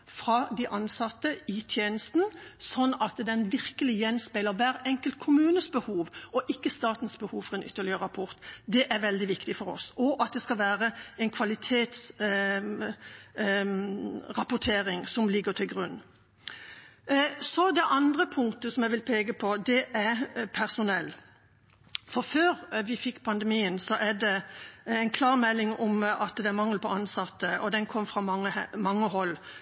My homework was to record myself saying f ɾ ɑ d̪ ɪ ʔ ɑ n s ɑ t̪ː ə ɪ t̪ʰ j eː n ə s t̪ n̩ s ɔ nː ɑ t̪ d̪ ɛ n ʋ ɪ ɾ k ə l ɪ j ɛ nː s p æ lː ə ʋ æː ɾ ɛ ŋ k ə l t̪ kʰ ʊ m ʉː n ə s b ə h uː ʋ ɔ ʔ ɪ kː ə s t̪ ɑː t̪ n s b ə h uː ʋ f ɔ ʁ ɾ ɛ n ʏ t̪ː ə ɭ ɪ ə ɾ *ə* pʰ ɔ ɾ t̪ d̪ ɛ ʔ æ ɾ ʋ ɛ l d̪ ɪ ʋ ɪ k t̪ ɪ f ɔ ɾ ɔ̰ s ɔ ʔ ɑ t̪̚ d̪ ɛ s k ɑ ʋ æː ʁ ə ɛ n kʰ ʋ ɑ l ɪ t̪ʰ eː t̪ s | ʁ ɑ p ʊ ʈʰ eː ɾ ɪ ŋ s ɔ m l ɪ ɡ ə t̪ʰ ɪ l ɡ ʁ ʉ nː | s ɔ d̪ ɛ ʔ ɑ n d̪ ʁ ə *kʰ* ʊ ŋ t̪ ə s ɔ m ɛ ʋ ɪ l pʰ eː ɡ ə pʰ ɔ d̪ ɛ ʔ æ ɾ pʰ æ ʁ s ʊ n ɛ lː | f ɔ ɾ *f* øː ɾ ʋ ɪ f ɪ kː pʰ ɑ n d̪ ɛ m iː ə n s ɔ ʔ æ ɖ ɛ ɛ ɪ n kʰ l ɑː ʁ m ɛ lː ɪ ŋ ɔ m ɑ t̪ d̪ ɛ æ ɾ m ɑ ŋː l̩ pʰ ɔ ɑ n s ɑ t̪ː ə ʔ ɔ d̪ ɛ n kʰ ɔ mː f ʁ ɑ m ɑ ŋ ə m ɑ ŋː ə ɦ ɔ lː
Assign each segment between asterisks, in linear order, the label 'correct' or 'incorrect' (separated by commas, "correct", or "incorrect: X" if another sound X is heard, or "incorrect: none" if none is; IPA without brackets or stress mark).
incorrect: ɑ, incorrect: pʰ, correct